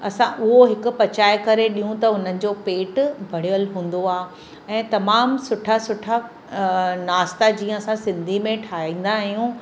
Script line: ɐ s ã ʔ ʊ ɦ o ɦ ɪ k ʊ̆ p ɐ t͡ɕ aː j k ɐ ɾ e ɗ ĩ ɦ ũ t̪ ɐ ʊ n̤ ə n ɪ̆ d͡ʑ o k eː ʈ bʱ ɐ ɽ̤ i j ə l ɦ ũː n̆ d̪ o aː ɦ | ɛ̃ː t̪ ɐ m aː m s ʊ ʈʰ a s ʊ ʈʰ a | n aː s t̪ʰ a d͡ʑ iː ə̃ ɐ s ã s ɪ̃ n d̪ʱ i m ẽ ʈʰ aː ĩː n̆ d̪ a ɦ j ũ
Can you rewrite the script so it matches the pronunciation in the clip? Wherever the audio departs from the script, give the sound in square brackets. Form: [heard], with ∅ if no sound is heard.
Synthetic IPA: ɐ s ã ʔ ʊ ɦ o ɦ ɪ k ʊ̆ p ɐ t͡ɕ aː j k ɐ ɾ e ɗ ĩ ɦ ũ t̪ ɐ ʊ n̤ ə n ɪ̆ d͡ʑ o [p] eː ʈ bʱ ɐ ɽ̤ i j ə l ɦ ũː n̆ d̪ o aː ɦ | ɛ̃ː t̪ ɐ m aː m s ʊ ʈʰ a s ʊ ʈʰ a | n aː s [t̪] a d͡ʑ iː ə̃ ɐ s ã s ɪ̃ n d̪ʱ i m ẽ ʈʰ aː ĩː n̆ d̪ a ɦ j ũ